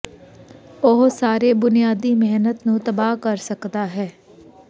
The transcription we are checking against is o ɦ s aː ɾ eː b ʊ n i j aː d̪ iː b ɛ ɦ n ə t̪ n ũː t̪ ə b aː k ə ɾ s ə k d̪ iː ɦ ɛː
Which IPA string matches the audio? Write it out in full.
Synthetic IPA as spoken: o ɦ s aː ɾ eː b ʊ n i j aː d̪ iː m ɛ ɦ n ə t̪ n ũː t̪ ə b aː k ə ɾ s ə k d̪ aː ɦ ɛː